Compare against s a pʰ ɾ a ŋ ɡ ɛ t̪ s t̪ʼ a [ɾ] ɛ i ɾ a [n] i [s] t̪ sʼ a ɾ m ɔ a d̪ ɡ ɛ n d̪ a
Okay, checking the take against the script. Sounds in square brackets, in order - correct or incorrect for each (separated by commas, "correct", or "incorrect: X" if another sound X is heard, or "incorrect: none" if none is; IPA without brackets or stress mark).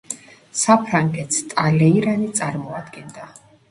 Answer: incorrect: l, correct, incorrect: none